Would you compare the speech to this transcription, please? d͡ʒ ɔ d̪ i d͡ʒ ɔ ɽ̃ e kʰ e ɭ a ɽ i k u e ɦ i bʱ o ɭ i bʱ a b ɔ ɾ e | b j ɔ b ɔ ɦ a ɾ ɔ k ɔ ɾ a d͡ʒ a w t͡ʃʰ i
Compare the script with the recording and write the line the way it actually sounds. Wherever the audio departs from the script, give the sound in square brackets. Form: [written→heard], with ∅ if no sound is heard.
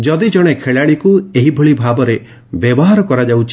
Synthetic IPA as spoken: d͡ʒ ɔ d̪ i d͡ʒ ɔ ɽ̃ e kʰ e ɭ a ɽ i k u e ɦ i bʱ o ɭ i bʱ a b ɔ ɾ e | b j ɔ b ɔ ɦ a ɾ ɔ k ɔ ɾ a d͡ʒ a w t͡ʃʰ i